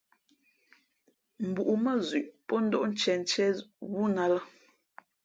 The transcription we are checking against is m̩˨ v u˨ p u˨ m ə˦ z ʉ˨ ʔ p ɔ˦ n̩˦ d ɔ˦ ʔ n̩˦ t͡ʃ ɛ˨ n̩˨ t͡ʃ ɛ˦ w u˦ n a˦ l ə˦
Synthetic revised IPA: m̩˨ b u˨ ʔ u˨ m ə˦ z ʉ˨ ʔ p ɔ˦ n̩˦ d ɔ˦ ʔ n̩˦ t͡ʃ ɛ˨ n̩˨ t͡ʃ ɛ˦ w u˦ n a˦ l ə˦